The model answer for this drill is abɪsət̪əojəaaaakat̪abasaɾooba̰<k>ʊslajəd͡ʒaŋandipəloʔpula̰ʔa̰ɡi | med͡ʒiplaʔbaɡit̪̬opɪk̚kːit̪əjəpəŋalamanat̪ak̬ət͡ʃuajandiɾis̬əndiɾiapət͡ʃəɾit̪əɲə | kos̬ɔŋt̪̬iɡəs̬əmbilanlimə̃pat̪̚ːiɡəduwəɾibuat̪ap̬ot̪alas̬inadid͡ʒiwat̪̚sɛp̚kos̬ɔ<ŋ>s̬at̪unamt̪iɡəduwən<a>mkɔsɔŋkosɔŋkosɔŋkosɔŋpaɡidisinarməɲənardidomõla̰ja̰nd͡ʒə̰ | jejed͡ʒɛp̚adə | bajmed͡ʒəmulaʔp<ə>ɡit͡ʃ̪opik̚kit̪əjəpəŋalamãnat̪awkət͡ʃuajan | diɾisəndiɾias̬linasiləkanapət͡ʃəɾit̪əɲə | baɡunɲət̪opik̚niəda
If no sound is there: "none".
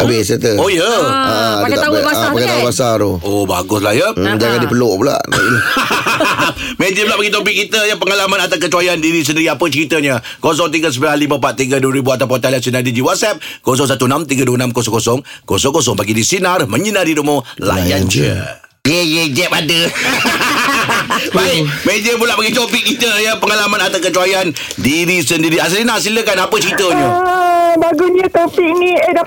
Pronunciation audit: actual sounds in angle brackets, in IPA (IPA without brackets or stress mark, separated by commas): ɡ, ŋ, a, a